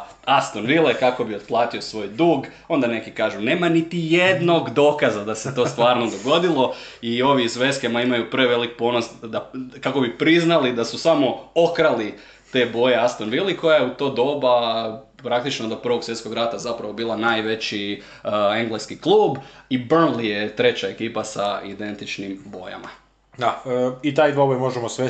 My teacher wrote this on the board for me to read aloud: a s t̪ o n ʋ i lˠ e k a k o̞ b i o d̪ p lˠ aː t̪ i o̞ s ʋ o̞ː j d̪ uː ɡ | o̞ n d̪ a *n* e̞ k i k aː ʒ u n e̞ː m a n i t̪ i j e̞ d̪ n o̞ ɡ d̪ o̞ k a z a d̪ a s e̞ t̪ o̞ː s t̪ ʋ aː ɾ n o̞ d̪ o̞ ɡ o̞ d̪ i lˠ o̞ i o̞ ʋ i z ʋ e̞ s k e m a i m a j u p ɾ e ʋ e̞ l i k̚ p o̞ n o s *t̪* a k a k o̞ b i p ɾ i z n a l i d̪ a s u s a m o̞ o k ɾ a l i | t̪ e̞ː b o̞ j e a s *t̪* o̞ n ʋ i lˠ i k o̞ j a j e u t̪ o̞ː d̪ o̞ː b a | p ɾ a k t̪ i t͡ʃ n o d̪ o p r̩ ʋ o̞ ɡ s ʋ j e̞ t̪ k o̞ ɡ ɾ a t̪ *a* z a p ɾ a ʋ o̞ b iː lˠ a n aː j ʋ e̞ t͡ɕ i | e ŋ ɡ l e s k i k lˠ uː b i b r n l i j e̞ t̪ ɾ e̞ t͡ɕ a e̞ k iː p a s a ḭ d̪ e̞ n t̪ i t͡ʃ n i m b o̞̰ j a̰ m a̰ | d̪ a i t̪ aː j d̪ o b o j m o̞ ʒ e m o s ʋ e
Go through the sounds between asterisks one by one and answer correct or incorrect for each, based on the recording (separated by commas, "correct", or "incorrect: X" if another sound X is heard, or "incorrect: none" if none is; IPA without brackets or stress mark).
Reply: correct, incorrect: d̪, correct, correct